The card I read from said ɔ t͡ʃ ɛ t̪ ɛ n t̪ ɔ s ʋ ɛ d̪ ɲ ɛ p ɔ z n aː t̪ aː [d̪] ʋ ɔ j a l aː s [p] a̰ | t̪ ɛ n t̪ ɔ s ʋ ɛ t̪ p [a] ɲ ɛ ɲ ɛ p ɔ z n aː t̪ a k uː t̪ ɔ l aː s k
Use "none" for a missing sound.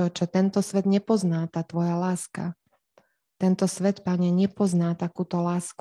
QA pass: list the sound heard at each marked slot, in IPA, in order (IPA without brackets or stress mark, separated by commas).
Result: t̪, k, a